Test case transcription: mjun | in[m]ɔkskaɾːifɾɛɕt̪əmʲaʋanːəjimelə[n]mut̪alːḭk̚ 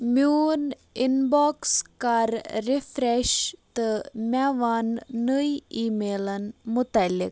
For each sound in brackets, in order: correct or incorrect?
incorrect: b, correct

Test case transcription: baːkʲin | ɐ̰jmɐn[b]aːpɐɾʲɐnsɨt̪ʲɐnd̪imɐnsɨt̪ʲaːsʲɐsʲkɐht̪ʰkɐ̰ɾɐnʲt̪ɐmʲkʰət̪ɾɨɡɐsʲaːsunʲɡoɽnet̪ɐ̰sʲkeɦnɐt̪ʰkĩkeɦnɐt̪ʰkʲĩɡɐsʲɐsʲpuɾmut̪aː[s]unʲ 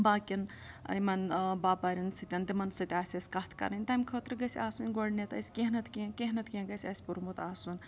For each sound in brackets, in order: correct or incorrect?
correct, correct

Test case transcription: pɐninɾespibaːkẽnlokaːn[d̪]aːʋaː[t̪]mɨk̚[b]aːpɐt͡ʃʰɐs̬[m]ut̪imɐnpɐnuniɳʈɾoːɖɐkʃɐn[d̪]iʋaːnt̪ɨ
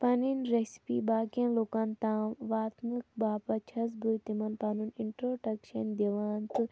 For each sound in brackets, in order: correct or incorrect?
incorrect: t̪, correct, correct, incorrect: b, correct

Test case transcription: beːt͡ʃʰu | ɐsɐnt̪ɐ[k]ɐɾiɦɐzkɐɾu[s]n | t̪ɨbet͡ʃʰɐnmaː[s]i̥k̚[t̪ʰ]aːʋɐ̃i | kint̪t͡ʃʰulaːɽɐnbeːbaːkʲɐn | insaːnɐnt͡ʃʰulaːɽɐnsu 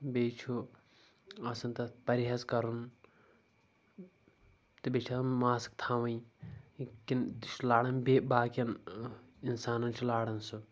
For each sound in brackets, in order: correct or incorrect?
incorrect: p, incorrect: none, correct, correct

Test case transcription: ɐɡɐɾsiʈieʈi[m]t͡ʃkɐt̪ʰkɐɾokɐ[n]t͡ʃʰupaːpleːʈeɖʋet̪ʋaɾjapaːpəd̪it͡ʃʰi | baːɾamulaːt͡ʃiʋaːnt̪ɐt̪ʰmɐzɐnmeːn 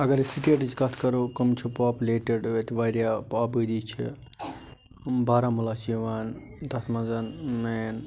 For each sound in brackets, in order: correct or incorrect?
incorrect: none, incorrect: m

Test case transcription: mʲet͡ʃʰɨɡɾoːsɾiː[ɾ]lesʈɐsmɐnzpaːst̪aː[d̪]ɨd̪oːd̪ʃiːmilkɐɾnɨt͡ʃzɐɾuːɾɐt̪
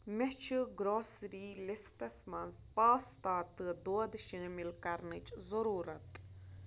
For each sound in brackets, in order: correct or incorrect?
incorrect: none, incorrect: t̪

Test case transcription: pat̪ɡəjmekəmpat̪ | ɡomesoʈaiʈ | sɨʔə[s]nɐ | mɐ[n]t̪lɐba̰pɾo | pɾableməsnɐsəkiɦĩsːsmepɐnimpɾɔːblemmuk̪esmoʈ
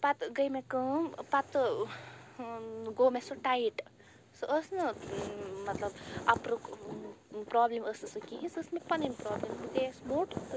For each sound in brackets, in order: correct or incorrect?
correct, incorrect: none

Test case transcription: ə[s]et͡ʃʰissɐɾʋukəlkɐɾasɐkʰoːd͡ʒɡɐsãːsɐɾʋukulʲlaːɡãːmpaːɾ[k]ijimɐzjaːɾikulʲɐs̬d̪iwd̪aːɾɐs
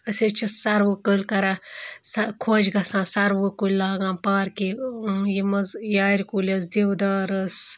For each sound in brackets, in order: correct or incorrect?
correct, correct

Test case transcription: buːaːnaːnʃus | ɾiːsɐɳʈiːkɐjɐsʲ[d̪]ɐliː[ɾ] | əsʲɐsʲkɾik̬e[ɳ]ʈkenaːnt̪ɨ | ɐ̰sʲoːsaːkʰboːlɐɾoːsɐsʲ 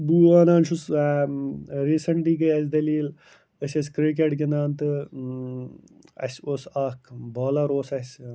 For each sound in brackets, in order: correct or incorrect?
correct, incorrect: l, incorrect: none

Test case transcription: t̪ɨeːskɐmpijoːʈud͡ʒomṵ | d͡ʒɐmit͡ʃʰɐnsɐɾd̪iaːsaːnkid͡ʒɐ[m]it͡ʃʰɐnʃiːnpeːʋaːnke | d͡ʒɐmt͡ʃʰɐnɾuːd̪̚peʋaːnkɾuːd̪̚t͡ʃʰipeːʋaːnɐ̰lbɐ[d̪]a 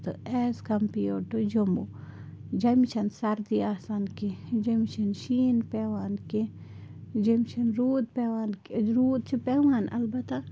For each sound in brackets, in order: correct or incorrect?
correct, incorrect: t̪

